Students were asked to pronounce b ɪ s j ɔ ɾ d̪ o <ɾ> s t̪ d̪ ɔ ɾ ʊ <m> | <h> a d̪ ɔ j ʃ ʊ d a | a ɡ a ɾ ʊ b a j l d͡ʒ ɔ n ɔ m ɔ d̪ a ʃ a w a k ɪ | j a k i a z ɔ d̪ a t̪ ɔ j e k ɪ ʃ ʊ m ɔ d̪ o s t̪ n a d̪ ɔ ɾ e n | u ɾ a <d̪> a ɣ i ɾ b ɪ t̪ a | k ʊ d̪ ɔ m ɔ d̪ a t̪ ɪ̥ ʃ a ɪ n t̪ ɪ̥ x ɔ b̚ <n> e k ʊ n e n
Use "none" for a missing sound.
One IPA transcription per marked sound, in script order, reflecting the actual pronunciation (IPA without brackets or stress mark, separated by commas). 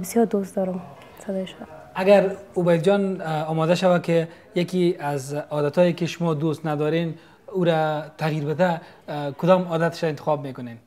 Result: none, m, s, t̪, m